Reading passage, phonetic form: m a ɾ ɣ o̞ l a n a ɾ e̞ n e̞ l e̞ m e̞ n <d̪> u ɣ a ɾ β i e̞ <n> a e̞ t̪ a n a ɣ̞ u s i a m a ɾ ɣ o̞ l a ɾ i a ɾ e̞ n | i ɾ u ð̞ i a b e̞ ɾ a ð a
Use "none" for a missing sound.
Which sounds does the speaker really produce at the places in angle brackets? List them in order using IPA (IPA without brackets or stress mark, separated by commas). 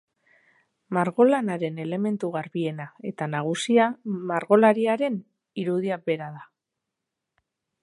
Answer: t̪, n